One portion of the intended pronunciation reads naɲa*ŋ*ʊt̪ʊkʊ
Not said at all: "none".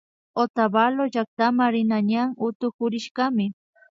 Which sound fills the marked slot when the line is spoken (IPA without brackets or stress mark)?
ŋ